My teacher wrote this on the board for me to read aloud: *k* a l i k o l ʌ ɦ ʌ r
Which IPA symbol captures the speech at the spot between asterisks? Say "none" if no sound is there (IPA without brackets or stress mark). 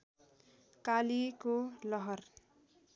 k